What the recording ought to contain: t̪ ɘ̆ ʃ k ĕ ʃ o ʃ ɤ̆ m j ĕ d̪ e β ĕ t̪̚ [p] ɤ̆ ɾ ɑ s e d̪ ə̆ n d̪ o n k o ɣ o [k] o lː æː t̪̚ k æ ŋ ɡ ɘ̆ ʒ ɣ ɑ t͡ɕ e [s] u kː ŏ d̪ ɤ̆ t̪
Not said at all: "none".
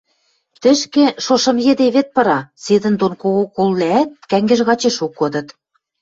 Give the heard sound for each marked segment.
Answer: p, k, ʃ

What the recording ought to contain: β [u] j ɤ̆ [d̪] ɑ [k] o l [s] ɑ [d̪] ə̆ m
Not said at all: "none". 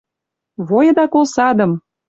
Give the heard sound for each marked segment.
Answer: o, d̪, k, s, d̪

